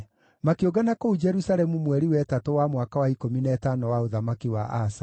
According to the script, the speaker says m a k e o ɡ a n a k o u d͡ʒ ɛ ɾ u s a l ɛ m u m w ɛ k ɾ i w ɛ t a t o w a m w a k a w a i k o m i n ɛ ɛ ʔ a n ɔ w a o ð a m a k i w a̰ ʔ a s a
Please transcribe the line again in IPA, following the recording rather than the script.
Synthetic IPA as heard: m a k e o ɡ a n a k o u d͡ʒ ɛ ɾ u s a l ɛ m u m w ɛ ɾ i w ɛ t a t o w a m w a k a w a i k o m i n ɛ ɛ t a n ɔ w a o ð a m a k i w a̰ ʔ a s a